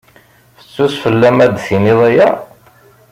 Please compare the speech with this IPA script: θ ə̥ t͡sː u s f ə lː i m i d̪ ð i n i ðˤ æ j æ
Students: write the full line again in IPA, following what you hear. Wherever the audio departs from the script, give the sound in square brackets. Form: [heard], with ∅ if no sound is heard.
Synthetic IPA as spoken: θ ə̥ t͡sː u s f ə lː [æ] m [æ] d̪ [θ] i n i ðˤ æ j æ